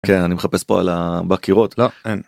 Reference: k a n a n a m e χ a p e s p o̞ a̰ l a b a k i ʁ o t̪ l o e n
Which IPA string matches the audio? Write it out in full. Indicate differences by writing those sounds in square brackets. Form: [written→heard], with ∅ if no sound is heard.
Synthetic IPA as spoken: k [a→e] n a n [a→i] m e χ a p e s p o̞ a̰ l a b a k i ʁ o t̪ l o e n